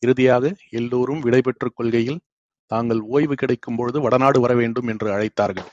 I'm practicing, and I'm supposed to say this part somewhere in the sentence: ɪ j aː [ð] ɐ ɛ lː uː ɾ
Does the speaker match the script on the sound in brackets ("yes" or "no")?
no